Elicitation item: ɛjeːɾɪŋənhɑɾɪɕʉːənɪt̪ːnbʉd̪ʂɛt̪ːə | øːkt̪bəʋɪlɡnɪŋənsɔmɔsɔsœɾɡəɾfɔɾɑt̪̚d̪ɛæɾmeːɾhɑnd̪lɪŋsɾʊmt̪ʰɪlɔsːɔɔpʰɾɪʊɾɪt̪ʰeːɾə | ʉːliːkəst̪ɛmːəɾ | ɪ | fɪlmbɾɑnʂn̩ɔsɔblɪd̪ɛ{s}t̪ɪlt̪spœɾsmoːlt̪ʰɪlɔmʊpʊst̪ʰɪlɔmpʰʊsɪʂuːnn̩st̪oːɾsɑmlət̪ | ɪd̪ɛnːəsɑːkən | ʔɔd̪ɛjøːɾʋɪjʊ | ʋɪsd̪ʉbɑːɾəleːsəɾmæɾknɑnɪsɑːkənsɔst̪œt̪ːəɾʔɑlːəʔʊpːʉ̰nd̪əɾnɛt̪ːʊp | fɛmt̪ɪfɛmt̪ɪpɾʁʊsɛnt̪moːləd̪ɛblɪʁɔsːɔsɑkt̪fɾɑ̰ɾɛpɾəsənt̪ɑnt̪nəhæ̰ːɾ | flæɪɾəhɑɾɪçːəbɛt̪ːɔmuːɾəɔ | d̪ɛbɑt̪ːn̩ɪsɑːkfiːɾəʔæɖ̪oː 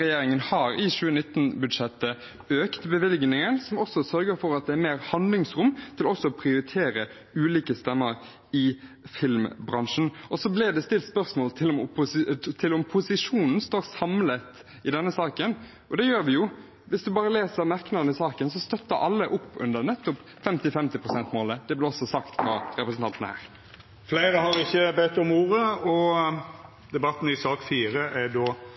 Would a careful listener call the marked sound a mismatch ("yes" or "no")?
no